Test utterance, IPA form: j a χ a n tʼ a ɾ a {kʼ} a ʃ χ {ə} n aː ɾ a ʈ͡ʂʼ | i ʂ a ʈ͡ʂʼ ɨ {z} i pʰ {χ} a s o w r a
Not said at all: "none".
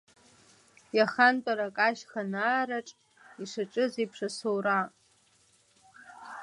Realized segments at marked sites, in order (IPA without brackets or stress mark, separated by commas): kʼ, a, z, ʂ